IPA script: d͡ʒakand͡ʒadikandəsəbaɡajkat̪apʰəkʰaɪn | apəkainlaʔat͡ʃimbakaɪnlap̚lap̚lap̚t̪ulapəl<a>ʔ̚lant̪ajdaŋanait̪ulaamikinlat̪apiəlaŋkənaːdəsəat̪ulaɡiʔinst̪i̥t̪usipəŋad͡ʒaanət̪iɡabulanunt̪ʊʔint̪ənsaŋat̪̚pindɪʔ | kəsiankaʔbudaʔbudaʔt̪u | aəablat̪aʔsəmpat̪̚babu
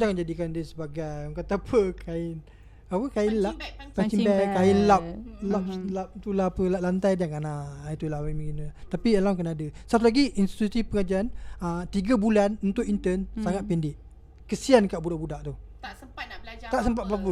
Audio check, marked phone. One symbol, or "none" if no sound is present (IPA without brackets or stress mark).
a